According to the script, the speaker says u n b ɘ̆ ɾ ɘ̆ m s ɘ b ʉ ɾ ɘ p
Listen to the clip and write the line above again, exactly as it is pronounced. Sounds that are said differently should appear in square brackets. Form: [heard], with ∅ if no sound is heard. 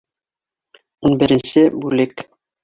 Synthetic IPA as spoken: u n b ɘ̆ ɾ ɘ̆ [n] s ɘ b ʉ [l] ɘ [k]

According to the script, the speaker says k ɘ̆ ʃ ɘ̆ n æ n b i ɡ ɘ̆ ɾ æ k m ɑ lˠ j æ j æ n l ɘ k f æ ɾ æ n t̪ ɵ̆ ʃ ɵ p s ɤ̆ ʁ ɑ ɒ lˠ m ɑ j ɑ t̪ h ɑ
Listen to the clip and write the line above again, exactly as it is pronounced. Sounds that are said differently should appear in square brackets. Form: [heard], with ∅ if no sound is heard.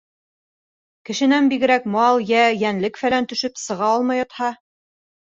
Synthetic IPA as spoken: k ɘ̆ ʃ ɘ̆ n æ n b i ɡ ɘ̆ ɾ æ k m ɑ lˠ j æ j æ n l ɘ k f æ [l] æ n t̪ ɵ̆ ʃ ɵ p s ɤ̆ ʁ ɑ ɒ lˠ m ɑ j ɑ t̪ h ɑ

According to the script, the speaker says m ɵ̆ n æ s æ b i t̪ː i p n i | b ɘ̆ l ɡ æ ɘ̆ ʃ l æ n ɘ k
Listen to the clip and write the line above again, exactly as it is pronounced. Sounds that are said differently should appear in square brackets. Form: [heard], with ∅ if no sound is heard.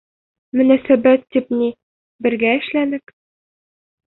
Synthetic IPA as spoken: m ɵ̆ n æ s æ b [æ] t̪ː i p n i | b ɘ̆ [ɾ] ɡ æ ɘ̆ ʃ l æ n ɘ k

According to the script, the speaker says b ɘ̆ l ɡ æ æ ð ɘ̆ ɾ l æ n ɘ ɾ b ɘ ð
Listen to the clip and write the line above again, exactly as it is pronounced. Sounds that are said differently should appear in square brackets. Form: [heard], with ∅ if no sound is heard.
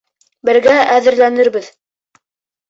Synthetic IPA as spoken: b ɘ̆ [ɾ] ɡ æ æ ð ɘ̆ ɾ l æ n ɘ ɾ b ɘ ð

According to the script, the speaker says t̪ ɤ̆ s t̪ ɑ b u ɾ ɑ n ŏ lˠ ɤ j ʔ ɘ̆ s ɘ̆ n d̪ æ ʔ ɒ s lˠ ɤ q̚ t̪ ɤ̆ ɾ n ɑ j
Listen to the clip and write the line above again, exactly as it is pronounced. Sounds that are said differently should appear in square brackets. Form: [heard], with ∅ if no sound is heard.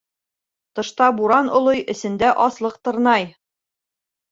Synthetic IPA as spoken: t̪ ɤ̆ [ʃ] t̪ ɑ b u ɾ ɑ n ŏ lˠ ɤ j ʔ ɘ̆ s ɘ̆ n d̪ æ ʔ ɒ s lˠ ɤ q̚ t̪ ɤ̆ ɾ n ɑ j

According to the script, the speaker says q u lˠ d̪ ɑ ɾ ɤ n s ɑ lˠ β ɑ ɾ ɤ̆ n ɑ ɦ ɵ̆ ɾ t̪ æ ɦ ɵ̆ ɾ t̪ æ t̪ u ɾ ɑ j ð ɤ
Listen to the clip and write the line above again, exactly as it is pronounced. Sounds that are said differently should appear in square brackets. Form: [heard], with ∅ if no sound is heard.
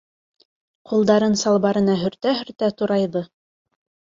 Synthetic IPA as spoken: q u lˠ d̪ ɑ ɾ ɤ n s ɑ lˠ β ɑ ɾ ɤ̆ n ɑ ɦ ɵ̆ ɾ t̪ æ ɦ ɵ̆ ɾ t̪ æ t̪ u ɾ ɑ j ð ɤ

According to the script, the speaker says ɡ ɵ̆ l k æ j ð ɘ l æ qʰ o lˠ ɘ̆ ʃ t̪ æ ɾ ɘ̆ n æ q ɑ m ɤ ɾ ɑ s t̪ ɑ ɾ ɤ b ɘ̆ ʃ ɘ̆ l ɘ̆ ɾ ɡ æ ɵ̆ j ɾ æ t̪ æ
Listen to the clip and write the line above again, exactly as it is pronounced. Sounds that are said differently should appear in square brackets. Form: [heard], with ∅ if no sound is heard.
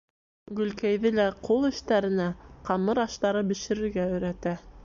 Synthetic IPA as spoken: ɡ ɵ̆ l k æ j ð ɘ l æ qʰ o lˠ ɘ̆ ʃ t̪ æ ɾ ɘ̆ n æ q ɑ m ɤ ɾ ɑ [ʃ] t̪ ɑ ɾ ɤ b ɘ̆ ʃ ɘ̆ [ɾ] ɘ̆ ɾ ɡ æ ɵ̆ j ɾ æ t̪ æ

